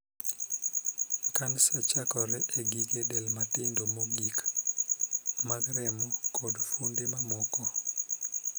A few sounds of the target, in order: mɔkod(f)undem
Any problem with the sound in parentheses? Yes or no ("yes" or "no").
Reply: no